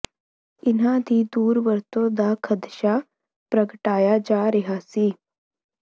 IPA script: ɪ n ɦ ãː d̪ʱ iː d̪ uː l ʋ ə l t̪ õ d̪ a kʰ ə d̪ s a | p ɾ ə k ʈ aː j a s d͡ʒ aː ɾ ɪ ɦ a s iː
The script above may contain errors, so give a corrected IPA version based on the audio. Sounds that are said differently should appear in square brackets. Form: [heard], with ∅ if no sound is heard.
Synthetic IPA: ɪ n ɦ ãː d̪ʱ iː d̪ uː [ɾ] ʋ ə [ɾ] t̪ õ d̪ a kʰ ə d̪ [ʃ] a | p ɾ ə k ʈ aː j a [∅] d͡ʒ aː ɾ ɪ ɦ a s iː